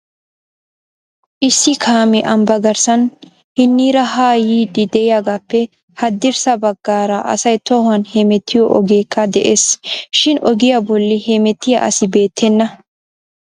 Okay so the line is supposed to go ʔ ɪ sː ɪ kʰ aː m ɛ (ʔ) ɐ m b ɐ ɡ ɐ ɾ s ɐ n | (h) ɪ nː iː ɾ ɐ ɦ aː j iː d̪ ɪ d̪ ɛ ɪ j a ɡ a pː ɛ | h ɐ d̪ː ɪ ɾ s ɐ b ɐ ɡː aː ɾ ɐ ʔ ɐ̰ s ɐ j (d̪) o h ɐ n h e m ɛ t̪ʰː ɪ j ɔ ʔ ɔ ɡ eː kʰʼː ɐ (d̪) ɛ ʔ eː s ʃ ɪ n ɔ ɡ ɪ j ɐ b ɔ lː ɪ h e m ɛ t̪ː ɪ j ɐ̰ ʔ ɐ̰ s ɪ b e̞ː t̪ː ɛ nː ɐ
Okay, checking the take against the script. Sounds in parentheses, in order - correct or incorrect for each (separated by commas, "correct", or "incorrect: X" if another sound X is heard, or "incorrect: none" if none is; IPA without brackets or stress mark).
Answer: correct, correct, incorrect: t̪, correct